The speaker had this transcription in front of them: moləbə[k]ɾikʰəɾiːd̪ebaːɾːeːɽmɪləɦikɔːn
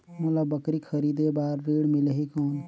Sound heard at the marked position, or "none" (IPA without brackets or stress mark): k